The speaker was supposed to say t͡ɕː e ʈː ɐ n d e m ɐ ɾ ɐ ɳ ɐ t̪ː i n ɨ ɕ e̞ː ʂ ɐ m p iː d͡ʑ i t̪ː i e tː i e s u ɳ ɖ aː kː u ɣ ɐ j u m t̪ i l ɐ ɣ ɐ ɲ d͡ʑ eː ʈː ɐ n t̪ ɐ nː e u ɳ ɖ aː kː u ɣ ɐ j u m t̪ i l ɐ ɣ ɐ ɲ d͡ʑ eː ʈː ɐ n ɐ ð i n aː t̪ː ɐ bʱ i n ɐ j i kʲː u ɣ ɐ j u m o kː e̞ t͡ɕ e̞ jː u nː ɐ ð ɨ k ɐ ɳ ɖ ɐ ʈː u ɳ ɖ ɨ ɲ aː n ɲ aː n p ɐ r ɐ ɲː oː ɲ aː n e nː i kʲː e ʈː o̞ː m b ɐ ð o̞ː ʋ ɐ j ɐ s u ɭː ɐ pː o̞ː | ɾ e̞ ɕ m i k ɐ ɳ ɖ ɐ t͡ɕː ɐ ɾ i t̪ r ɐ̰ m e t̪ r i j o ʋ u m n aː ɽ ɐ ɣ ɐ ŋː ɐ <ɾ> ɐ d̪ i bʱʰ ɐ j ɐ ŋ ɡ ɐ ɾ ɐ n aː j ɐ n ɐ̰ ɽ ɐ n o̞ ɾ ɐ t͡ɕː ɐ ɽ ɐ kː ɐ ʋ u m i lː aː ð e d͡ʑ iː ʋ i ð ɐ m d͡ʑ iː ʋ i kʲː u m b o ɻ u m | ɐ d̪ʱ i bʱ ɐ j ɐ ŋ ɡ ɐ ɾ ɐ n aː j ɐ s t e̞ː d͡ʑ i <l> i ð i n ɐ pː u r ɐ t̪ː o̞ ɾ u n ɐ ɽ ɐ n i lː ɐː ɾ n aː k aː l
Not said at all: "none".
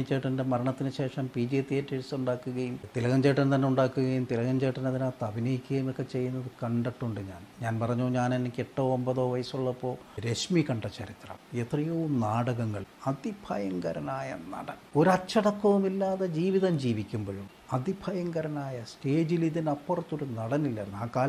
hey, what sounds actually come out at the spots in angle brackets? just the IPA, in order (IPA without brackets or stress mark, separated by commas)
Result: ɭ, l